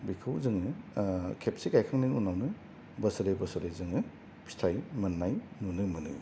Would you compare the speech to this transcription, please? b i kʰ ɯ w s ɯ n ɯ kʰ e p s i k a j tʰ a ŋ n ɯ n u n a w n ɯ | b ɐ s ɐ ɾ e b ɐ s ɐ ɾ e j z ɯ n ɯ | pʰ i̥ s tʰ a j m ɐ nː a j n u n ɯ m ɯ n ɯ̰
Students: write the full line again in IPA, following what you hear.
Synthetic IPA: b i kʰ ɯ w z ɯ ŋ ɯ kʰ e p s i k a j kʰ a ŋ n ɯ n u n a w n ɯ | b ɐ s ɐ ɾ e b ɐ s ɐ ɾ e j z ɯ ŋ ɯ | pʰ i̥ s tʰ a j m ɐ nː a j n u n ɯ m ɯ n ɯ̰